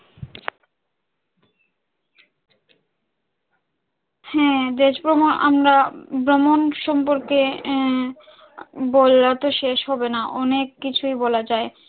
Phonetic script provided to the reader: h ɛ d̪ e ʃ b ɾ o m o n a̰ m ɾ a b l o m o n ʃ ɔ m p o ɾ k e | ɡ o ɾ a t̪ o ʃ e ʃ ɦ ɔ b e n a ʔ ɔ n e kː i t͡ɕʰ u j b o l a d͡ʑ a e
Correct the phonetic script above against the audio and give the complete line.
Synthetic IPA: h ɛ d̪ e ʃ b ɾ o m o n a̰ m ɾ a b ɾ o m o n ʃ ɔ m p o ɾ k e | b o l a t̪ o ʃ e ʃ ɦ ɔ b e n a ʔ ɔ n e kː i t͡ɕʰ u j b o l a d͡ʑ a e